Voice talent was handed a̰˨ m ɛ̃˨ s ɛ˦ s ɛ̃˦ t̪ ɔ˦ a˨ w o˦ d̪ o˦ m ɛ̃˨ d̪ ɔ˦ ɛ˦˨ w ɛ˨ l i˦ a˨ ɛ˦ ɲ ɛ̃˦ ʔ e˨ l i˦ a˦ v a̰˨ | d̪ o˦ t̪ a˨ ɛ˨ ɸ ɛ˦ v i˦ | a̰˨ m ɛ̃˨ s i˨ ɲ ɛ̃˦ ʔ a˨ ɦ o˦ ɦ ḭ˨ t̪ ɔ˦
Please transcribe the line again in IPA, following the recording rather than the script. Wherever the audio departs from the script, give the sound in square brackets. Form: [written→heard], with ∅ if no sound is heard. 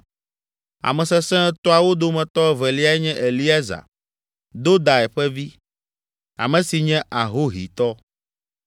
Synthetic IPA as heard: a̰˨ m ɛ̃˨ s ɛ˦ s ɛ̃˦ t̪ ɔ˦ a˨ w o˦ d̪ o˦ m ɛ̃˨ [d̪→t̪] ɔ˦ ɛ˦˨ [w→v] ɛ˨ l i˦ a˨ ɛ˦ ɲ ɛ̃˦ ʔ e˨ l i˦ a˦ [v→z] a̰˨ | d̪ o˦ [t̪→d̪] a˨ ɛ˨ ɸ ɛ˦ v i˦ | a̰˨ m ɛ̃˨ s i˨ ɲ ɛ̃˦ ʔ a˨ ɦ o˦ ɦ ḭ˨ t̪ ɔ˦